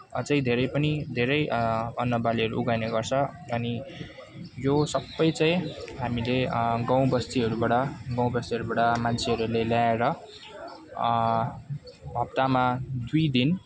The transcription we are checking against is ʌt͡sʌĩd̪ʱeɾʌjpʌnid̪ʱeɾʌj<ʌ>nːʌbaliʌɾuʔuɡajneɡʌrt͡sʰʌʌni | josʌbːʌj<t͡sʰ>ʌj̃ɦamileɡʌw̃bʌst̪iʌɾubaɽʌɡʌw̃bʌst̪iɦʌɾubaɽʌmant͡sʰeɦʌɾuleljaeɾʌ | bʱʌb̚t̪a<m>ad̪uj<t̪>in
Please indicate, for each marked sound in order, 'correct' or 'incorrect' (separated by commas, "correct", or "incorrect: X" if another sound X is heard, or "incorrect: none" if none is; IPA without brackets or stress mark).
correct, incorrect: t͡s, correct, incorrect: d̪